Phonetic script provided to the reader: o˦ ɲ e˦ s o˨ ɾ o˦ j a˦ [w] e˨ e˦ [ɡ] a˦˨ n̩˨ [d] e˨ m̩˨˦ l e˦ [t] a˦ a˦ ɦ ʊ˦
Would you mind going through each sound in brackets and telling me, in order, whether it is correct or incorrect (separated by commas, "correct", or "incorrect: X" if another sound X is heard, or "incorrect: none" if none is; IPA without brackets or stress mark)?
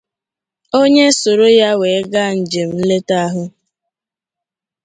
correct, correct, incorrect: d͡ʒ, correct